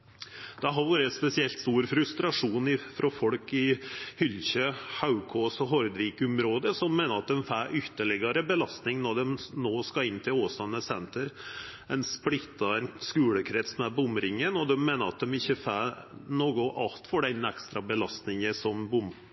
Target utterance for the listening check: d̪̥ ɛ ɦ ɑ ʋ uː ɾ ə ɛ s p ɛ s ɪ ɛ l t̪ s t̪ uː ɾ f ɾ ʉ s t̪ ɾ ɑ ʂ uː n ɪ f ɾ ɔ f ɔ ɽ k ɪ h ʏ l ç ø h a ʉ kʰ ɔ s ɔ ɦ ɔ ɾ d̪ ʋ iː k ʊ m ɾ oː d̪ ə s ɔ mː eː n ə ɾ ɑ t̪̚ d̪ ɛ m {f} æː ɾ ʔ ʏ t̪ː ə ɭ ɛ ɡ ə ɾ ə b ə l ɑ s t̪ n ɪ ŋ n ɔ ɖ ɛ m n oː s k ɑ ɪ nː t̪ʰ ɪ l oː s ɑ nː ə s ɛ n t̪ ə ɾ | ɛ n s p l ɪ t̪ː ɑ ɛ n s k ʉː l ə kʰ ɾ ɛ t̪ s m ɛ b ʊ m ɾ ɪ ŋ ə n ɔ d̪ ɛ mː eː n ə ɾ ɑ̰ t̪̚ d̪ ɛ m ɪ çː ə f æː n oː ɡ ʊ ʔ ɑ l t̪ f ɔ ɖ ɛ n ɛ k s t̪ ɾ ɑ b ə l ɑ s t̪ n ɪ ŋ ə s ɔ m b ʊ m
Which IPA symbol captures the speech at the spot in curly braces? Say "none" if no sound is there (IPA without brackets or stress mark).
f